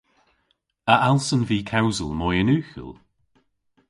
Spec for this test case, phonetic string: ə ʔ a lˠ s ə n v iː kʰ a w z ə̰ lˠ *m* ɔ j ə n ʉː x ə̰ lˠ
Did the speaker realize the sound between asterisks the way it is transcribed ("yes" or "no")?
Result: yes